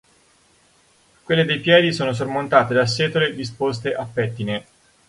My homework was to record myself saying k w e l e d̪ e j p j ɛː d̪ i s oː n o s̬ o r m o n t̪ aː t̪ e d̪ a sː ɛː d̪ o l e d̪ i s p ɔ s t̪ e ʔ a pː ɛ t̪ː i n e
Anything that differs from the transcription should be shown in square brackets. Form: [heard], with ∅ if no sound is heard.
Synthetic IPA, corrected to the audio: k w e [lː] e d̪ e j p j ɛː d̪ i s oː n o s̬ o r m o n t̪ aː t̪ e d̪ a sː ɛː [t̪] o l e d̪ i s p [o] s t̪ e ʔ a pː ɛ t̪ː i n e